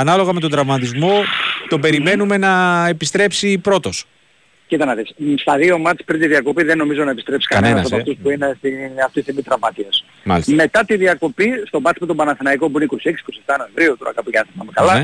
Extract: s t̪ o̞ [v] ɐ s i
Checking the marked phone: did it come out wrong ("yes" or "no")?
yes